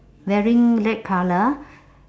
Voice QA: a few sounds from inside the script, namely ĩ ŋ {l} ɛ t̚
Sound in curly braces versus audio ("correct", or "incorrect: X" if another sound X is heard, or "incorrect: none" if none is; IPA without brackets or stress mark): correct